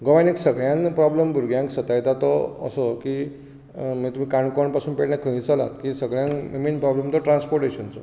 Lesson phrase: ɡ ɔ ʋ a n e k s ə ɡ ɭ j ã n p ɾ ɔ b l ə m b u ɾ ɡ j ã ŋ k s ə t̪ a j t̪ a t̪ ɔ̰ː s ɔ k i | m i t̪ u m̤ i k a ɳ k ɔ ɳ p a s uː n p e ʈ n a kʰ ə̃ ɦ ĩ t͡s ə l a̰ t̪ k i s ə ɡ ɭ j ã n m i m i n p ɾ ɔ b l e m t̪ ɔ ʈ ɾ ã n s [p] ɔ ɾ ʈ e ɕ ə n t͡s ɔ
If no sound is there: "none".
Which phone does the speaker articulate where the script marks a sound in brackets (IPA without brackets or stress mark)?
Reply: p